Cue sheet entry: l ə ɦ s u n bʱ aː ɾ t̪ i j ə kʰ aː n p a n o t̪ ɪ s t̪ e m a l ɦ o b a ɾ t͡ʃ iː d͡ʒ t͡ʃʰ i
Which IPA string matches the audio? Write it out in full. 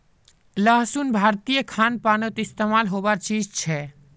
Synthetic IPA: l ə ɦ s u n bʱ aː ɾ t̪ i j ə kʰ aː n p a n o t̪ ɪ s t̪ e m a l ɦ o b a ɾ t͡ʃ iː d͡ʒ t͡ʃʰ ɛ